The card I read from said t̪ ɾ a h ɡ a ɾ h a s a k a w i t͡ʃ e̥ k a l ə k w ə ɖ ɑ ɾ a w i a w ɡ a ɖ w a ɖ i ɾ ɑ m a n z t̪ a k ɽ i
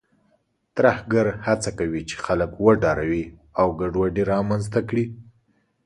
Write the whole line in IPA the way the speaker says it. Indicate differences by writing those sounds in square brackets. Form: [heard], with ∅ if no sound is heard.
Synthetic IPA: t̪ ɾ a h ɡ a ɾ h a [t͡s] a k a w i t͡ʃ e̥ [x] a l ə k w ə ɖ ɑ ɾ a w i a w ɡ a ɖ w a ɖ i ɾ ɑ m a n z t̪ a k ɽ i